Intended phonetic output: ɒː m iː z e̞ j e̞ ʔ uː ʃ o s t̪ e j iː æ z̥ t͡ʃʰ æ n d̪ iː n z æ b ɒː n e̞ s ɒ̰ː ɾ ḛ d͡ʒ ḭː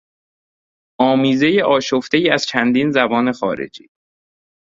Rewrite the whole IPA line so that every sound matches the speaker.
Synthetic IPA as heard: ɒː m iː z e̞ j e̞ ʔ ɒː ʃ o f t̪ e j iː æ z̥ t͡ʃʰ æ n d̪ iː n z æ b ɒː n e̞ x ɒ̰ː ɾ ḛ d͡ʒ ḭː